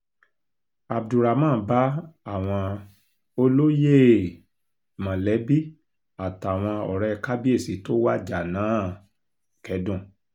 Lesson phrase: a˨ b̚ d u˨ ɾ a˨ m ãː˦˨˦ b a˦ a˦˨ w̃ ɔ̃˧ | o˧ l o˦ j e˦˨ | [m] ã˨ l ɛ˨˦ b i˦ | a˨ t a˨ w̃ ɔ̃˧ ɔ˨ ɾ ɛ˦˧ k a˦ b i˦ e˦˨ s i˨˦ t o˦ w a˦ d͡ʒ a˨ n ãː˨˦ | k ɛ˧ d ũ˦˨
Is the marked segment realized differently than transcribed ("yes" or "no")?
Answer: no